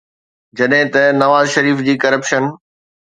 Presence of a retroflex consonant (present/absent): absent